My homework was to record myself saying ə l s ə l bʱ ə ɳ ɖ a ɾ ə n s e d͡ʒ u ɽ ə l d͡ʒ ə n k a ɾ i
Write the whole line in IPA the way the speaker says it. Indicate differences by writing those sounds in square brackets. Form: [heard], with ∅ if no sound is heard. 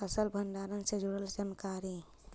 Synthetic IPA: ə [∅] s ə l bʱ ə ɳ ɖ a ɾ ə n s e d͡ʒ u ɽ ə l d͡ʒ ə n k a ɾ i

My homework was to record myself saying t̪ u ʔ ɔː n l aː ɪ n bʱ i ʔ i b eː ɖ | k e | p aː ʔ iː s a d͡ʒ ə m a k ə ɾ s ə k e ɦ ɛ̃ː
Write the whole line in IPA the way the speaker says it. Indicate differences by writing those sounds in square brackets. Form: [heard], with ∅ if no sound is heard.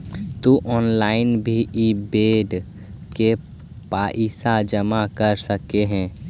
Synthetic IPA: t̪ u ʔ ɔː n l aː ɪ n bʱ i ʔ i b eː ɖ | k e | p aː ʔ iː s a d͡ʒ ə m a k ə ɾ s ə k e ɦ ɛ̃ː

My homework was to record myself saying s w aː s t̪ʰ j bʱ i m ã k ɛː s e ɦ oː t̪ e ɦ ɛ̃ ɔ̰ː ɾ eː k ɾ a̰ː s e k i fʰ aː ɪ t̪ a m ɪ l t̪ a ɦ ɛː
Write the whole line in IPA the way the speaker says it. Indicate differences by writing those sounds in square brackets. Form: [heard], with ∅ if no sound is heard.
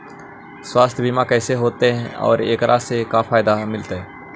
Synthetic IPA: s w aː s t̪ʰ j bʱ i m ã k ɛː s e ɦ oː t̪ e ɦ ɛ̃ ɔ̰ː ɾ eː k ɾ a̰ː s e k [a] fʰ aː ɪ [d̪] a m ɪ l t̪ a ɦ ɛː

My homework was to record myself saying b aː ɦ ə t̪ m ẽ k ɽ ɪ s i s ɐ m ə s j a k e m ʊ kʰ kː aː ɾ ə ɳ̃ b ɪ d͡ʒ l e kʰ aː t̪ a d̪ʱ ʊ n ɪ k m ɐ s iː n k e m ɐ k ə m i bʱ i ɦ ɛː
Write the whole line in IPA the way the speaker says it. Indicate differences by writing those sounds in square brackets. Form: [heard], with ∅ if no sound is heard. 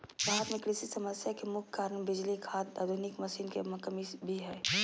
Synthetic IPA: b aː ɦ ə t̪ m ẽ k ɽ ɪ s i s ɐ m ə s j a k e m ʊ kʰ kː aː ɾ ə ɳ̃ b ɪ d͡ʒ l [i] kʰ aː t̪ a d̪ʱ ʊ n ɪ k m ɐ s iː n k e m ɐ k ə m i bʱ i ɦ ɛː

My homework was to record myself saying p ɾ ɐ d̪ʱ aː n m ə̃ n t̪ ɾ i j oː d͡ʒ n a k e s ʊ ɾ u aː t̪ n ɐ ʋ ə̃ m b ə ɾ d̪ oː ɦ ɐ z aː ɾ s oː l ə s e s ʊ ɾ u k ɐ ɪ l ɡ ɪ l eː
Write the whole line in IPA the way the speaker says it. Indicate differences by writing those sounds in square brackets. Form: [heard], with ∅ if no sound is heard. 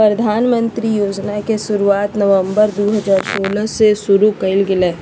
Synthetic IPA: p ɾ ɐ d̪ʱ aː n m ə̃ n t̪ ɾ i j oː d͡ʒ n a k e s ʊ ɾ u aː t̪ n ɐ ʋ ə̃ m b ə ɾ d̪ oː ɦ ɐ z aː ɾ s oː l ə s e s ʊ ɾ u k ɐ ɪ l ɡ ɪ l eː

